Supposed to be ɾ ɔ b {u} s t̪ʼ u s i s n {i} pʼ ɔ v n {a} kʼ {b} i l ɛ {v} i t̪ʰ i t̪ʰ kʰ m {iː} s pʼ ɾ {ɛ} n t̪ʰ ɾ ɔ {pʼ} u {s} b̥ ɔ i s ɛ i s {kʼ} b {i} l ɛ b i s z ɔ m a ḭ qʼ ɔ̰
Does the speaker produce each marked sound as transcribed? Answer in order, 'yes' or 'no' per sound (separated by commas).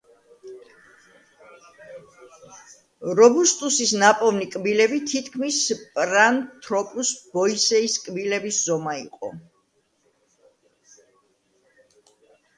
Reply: yes, no, no, yes, no, no, no, yes, yes, yes, yes